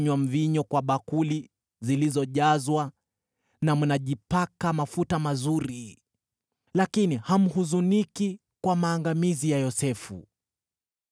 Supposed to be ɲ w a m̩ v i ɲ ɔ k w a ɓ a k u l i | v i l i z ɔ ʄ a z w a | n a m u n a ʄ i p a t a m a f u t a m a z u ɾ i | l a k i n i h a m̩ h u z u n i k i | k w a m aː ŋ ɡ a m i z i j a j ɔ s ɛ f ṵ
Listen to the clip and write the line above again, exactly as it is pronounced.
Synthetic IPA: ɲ w a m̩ v i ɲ ɔ k w a ɓ a k u l i | z i l i z ɔ ʄ a z w a | n a m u n a ʄ i p a k a m a f u t a m a z u ɾ i | l a k i n i h a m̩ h u z u n i k i | k w a m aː ŋ ɡ a m i z i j a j ɔ s ɛ f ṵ